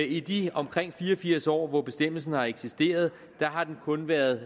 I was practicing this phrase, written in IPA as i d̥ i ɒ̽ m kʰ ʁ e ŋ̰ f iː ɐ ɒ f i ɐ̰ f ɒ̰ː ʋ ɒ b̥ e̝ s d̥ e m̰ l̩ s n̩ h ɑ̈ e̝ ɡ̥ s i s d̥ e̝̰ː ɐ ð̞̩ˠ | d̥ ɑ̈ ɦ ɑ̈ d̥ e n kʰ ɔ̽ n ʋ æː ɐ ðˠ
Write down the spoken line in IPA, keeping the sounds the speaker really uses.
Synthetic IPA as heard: i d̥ i ɒ̽ m kʰ ʁ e ŋ̰ f iː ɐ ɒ f i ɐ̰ s ɒ̰ː ʋ ɒ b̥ e̝ s d̥ e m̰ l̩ s n̩ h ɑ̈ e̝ ɡ̥ s i s d̥ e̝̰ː ɐ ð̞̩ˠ | d̥ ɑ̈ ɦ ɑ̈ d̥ e n kʰ ɔ̽ n ʋ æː ɐ ðˠ